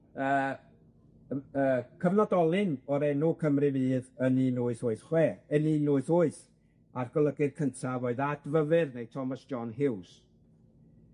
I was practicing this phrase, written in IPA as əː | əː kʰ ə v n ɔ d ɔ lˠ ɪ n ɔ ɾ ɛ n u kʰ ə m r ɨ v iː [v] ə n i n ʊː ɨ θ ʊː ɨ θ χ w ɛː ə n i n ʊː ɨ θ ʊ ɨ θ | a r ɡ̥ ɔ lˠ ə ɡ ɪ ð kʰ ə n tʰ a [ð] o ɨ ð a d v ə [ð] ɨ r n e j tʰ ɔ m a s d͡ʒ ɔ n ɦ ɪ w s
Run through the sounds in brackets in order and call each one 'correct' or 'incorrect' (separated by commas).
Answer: incorrect, incorrect, incorrect